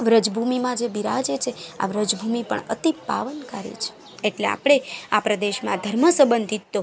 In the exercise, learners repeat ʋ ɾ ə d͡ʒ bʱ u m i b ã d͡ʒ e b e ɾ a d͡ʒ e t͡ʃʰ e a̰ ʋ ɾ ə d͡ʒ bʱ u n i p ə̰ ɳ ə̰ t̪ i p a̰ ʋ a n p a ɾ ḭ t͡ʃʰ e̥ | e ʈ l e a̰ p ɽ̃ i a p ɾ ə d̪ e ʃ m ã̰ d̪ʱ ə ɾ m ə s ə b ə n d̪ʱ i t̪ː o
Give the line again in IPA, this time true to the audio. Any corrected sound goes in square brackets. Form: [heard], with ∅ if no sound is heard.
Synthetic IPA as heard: ʋ ɾ ə d͡ʒ bʱ u m i [m] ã d͡ʒ e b [i] ɾ a d͡ʒ e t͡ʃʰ e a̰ ʋ ɾ ə d͡ʒ bʱ u [m] i p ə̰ ɳ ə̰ t̪ i p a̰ ʋ [ə] n [k] a ɾ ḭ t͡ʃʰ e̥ | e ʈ l e a̰ p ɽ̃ [e] a p ɾ ə d̪ e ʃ m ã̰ d̪ʱ ə ɾ m ə s ə b ə n d̪ʱ i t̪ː o

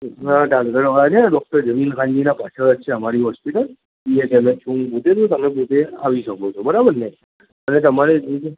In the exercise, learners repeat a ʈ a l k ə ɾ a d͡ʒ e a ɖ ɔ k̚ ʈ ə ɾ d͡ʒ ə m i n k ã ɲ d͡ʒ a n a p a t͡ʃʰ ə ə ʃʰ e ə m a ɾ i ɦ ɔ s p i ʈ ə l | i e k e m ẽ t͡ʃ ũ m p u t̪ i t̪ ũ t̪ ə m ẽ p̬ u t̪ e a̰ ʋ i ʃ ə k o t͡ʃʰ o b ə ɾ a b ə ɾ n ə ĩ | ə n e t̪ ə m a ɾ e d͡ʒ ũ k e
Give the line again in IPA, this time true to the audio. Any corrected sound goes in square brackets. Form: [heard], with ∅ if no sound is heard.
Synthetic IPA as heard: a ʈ a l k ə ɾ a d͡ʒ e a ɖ ɔ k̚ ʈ ə ɾ d͡ʒ ə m i n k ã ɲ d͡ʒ [i] n a p a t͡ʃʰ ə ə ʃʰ e ə m a ɾ i ɦ ɔ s p i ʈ ə l | i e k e m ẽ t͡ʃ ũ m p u t̪ [e] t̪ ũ t̪ ə m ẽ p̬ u t̪ e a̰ ʋ i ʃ ə k o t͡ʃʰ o b ə ɾ a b ə ɾ n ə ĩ | ə n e t̪ ə m a ɾ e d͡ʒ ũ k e

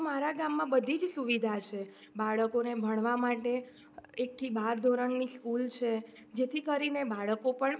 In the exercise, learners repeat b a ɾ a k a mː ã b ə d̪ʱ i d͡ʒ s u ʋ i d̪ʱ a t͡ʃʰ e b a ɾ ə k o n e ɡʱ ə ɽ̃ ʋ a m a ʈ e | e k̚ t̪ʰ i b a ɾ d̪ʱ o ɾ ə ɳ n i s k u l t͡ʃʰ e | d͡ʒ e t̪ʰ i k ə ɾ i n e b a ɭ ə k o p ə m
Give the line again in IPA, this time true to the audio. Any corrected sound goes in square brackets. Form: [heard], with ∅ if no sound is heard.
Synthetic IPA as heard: [m] a ɾ a [ɡ] a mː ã b ə d̪ʱ i d͡ʒ s u ʋ i d̪ʱ a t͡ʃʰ e b a [ɭ] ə k o n e [bʱ] ə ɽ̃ ʋ a m a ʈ e | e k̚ t̪ʰ i b a ɾ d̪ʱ o ɾ ə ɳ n i s k u l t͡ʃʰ e | d͡ʒ e t̪ʰ i k ə ɾ i n e b a ɭ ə k o p ə [ɳ]

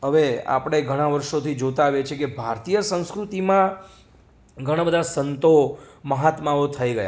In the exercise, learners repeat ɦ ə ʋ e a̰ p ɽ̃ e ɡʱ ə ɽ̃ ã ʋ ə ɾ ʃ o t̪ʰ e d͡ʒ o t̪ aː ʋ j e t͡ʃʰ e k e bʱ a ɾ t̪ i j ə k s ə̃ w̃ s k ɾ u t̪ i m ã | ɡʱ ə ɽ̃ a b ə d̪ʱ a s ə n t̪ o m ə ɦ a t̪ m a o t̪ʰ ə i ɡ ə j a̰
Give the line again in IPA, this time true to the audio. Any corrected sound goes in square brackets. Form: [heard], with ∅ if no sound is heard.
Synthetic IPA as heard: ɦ ə ʋ e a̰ p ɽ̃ e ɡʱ ə ɽ̃ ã ʋ ə ɾ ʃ o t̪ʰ [i] d͡ʒ o t̪ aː ʋ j e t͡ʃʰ e k e bʱ a ɾ t̪ i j ə [∅] s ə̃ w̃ s k ɾ u t̪ i m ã | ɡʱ ə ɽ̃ a b ə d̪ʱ a s ə n t̪ o m ə ɦ a t̪ m a o t̪ʰ ə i ɡ ə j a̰

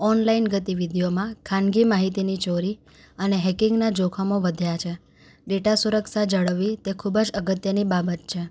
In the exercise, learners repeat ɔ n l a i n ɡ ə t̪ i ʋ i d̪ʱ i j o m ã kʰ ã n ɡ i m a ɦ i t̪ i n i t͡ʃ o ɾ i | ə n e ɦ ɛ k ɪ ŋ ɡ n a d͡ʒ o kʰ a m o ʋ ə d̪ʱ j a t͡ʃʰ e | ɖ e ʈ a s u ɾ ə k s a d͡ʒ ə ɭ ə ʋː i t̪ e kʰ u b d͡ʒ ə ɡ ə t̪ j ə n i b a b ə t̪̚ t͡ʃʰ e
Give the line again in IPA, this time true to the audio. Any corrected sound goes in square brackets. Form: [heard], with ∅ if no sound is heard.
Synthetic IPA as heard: ɔ n l a i n ɡ ə t̪ i ʋ i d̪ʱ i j o m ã kʰ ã n ɡ i m a ɦ i t̪ i n i t͡ʃ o ɾ i | ə n e ɦ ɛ k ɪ ŋ ɡ n a d͡ʒ o kʰ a m o ʋ ə d̪ʱ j a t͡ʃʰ e | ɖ e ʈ a s u ɾ ə k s a d͡ʒ ə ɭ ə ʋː i t̪ e kʰ u b d͡ʒ ə ɡ ə t̪ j ə n i b a b ə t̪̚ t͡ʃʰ e

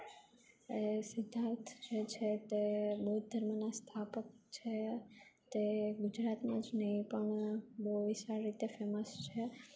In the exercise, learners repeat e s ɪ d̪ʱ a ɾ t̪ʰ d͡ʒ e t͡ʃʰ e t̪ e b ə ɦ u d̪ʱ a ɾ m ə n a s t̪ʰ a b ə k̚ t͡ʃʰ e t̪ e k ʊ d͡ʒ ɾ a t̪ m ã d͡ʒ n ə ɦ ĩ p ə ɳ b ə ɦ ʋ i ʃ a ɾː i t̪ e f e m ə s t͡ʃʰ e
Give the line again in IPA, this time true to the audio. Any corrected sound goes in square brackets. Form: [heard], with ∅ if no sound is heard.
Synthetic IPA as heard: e s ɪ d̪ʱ a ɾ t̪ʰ d͡ʒ e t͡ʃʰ e t̪ e b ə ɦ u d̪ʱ [ə] ɾ m ə n a s t̪ʰ a [p] ə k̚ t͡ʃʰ e t̪ e [ɡ] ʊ d͡ʒ ɾ a t̪ m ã d͡ʒ n ə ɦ ĩ p ə ɳ b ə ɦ ʋ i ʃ a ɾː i t̪ e f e m ə s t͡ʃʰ e

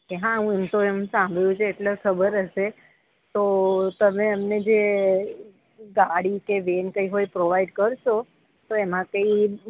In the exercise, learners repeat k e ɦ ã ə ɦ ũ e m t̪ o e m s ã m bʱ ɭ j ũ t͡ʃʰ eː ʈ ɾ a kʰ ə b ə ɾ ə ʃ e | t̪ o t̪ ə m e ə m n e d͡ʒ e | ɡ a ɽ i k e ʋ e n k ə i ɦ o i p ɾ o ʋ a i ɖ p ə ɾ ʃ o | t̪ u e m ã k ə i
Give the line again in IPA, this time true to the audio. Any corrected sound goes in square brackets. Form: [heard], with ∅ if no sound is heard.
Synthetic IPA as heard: k e ɦ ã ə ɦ ũ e m t̪ o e m s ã m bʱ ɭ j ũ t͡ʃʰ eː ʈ [l] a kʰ ə b ə ɾ ə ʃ e | t̪ o t̪ ə m e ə m n e d͡ʒ e | ɡ a ɽ i k e ʋ e n k ə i ɦ o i p ɾ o ʋ a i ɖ [k] ə ɾ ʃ o | t̪ [o] e m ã k ə i

